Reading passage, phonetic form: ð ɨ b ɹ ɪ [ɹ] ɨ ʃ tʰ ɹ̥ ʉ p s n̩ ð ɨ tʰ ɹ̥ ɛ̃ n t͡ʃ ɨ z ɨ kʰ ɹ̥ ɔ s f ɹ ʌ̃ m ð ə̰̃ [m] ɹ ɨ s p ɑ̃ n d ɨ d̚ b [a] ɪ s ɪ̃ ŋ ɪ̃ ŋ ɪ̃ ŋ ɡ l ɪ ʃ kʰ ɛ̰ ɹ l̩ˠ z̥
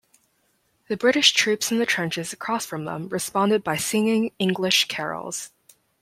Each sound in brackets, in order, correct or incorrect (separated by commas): incorrect, correct, correct